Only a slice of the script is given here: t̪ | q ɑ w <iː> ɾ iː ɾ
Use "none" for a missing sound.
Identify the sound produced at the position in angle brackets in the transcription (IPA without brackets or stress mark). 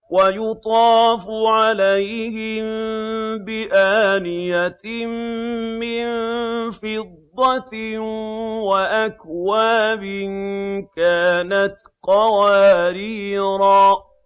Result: aː